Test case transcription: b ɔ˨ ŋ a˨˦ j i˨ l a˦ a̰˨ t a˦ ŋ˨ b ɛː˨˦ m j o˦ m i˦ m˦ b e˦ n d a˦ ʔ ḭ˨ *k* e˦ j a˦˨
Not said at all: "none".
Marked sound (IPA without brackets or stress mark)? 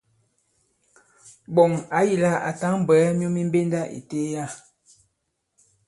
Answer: t